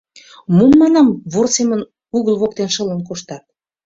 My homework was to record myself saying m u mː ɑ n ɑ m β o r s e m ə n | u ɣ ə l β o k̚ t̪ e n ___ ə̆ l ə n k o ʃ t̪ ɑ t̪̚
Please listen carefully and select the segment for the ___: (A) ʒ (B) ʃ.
B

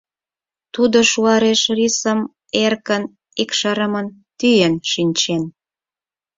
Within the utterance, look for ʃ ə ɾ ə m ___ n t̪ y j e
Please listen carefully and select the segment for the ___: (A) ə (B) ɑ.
A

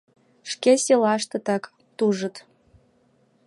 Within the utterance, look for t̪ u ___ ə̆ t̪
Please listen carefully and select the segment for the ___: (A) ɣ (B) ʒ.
B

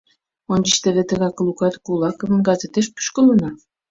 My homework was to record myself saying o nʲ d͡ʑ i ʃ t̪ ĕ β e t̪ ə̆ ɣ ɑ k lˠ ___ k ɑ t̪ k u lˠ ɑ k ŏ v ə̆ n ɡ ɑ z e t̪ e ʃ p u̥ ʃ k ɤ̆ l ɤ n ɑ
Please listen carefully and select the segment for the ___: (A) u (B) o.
A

